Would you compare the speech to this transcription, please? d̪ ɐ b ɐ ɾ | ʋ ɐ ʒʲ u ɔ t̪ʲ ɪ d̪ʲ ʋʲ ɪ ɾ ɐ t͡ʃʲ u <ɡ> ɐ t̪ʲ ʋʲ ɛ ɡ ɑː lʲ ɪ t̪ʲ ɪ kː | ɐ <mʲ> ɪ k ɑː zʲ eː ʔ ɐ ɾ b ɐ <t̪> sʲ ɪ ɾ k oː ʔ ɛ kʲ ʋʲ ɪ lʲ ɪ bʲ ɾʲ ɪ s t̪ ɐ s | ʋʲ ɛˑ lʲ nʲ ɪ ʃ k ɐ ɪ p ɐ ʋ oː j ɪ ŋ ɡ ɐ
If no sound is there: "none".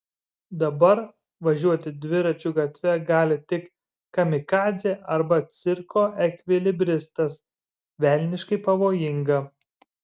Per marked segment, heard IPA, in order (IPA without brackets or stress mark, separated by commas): ɡ, mʲ, t̪